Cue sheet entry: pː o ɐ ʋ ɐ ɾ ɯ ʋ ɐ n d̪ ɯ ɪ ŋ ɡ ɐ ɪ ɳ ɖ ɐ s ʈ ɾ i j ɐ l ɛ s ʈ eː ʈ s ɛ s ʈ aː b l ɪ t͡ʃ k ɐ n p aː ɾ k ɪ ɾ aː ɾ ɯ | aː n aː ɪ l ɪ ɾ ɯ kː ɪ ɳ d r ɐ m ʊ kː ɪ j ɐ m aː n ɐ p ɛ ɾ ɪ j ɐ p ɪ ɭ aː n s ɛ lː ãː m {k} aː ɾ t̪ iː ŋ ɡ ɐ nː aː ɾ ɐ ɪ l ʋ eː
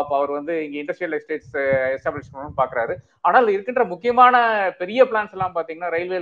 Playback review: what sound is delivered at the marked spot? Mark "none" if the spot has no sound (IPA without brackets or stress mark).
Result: p